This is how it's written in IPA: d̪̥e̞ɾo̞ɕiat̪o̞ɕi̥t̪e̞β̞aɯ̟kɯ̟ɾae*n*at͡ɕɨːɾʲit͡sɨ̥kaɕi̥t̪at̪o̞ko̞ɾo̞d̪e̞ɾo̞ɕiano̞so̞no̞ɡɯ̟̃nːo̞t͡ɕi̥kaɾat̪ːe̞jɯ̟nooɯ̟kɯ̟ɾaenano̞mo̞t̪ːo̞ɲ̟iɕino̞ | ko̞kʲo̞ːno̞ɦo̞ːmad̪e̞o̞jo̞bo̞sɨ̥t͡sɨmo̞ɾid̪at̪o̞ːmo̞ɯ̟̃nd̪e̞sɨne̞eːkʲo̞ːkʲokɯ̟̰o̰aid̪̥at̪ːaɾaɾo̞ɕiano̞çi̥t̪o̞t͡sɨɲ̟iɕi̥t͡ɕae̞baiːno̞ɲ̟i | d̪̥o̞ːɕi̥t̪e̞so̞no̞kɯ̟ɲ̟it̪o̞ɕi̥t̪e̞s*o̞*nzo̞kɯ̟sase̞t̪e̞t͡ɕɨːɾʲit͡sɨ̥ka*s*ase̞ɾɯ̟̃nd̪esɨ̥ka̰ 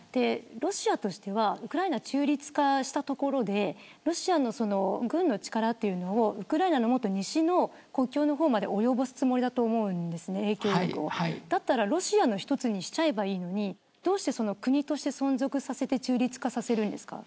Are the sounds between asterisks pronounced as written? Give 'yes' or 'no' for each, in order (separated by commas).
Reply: yes, no, yes